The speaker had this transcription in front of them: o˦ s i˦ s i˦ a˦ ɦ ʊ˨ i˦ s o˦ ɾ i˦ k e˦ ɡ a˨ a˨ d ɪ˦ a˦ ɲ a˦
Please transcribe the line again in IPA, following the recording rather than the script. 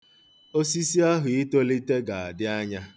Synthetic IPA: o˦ s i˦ s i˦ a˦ ɦ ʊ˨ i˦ t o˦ l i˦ t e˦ ɡ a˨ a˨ d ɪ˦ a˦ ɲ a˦